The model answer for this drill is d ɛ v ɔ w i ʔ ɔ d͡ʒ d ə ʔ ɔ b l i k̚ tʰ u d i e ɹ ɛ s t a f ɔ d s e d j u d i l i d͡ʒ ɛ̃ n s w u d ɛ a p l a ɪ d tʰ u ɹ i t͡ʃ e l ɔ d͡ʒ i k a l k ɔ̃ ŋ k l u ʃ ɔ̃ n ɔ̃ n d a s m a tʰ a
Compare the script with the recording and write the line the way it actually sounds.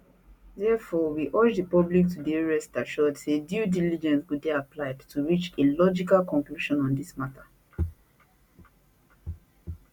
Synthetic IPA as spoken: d ɛ f ɔ w i ʔ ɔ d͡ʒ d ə p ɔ b l i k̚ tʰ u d i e ɹ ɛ s t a ʃ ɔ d s e d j u d i l i d͡ʒ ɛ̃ n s w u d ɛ a p l a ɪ d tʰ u ɹ i t͡ʃ e l ɔ d͡ʒ i k a l k ɔ̃ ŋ k l u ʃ ɔ̃ n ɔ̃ n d i s m a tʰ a